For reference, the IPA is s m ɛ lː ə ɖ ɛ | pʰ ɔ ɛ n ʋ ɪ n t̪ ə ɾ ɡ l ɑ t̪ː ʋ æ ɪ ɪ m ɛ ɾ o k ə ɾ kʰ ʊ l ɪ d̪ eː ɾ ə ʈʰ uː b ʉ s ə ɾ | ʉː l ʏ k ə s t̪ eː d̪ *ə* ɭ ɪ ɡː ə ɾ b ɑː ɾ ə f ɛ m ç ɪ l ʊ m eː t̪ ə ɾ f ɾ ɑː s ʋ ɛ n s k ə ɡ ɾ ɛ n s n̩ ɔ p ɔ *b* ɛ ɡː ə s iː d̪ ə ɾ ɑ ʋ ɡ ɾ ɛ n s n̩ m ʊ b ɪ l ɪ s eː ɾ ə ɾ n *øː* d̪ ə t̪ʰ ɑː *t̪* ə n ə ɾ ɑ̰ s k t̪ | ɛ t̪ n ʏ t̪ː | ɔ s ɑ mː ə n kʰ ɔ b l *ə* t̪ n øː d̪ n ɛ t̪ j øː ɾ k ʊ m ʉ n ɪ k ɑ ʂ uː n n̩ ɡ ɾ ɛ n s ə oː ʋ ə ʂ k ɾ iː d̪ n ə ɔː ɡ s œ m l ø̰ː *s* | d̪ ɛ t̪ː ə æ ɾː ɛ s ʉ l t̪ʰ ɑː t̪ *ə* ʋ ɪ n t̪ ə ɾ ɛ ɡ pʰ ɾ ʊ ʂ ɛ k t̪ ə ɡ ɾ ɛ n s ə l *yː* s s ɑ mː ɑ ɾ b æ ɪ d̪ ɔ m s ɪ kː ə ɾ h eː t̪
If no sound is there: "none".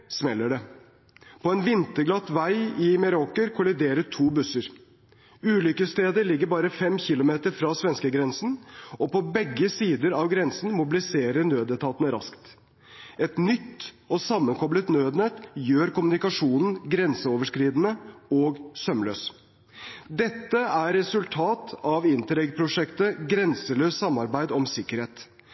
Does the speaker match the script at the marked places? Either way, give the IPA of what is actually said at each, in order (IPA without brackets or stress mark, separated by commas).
ə, b, øː, t̪, ə, s, ɑ, øː